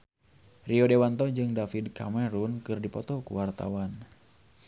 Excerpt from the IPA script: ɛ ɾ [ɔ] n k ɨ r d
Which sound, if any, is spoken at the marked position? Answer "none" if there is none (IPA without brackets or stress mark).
u